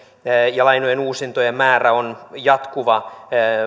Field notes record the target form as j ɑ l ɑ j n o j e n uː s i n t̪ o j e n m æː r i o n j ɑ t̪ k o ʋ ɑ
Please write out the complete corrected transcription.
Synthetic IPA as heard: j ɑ l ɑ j n o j e n uː s i n t̪ o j e m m æː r æ o n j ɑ t̪ k u ʋ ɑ